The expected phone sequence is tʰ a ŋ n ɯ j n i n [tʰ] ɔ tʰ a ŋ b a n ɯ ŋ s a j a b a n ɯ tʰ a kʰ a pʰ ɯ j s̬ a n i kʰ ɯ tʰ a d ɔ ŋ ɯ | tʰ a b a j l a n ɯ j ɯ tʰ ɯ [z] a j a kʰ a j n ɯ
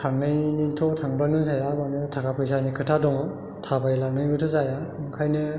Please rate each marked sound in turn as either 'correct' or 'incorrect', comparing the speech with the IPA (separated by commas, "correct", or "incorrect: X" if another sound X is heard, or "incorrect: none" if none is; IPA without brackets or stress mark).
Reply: correct, correct